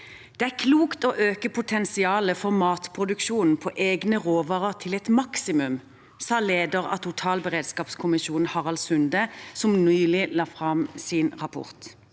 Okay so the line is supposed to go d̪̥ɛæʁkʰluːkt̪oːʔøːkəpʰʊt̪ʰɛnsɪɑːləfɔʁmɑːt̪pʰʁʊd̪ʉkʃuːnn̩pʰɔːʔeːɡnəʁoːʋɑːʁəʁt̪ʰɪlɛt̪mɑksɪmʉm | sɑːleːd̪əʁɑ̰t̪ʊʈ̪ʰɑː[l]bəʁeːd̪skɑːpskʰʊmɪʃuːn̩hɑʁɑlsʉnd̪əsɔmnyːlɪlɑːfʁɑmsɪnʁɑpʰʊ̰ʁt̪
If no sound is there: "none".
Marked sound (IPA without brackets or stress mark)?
l